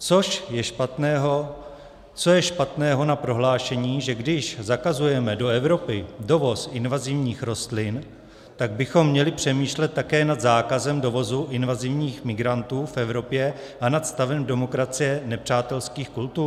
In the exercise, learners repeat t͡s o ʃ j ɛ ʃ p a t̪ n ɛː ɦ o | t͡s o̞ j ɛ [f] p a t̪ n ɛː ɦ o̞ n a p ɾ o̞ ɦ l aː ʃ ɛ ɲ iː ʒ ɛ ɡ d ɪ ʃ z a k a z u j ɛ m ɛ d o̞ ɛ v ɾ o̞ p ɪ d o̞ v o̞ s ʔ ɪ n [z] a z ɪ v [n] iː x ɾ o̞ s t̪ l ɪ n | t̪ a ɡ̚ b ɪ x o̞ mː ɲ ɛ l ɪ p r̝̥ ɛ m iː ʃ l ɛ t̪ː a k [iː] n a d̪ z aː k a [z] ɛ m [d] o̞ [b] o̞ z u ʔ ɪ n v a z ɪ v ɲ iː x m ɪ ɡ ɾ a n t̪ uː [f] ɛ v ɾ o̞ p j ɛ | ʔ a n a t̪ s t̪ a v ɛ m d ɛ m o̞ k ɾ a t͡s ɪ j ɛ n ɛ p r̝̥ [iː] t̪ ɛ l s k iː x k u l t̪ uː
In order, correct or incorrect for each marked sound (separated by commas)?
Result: incorrect, incorrect, incorrect, incorrect, correct, correct, incorrect, correct, incorrect